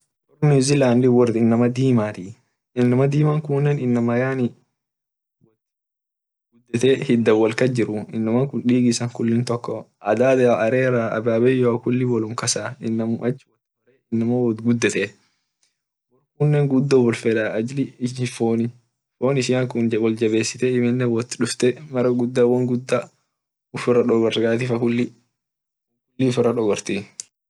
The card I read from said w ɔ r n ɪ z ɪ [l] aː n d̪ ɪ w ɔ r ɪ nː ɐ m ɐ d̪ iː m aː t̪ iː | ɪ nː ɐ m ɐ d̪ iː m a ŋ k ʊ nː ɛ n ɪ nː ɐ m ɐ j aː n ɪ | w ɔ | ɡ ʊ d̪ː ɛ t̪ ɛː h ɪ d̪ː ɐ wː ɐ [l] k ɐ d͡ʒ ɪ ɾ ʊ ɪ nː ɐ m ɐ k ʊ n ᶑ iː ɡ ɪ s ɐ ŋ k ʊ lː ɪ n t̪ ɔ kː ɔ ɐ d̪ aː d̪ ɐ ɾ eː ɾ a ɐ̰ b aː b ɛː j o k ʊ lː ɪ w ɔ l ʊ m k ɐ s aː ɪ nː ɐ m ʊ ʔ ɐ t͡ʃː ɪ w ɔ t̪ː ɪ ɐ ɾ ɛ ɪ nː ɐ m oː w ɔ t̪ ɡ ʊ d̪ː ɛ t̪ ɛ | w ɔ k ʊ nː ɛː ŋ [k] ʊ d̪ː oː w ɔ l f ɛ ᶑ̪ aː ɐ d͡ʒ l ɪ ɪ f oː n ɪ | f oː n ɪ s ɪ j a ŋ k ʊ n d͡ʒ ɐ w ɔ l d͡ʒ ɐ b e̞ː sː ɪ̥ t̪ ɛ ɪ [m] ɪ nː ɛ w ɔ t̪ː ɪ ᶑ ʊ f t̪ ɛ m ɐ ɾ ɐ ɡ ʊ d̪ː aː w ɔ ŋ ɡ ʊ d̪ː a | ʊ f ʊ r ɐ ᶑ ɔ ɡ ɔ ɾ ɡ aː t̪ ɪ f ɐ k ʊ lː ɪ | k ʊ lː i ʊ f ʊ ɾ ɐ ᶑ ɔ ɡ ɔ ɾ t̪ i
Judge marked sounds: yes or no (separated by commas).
yes, yes, no, yes